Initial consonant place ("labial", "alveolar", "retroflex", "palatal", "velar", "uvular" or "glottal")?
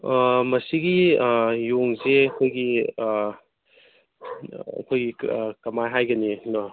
labial